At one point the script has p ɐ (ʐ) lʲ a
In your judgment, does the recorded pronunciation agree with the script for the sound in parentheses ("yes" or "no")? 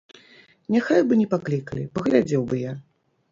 no